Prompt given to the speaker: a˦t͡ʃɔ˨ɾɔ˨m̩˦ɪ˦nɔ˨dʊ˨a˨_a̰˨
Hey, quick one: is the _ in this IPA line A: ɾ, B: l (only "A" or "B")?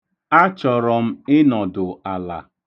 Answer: B